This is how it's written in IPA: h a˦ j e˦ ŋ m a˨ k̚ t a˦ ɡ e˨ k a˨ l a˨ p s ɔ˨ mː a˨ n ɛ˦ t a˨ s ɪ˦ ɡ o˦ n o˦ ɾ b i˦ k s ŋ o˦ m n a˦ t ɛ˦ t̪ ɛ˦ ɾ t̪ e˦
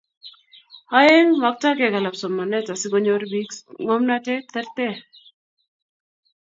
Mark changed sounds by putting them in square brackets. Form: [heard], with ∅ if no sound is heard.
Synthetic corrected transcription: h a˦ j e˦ ŋ m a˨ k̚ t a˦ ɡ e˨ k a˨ l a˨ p s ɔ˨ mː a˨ n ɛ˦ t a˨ s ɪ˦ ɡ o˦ [ɲ] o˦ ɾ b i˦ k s ŋ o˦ m n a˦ t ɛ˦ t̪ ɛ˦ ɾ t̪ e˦